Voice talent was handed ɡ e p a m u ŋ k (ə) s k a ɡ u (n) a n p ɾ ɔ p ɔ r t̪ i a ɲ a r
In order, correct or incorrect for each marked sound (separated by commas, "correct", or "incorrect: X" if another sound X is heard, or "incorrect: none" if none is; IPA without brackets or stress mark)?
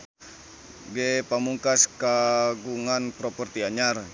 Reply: incorrect: a, incorrect: ŋ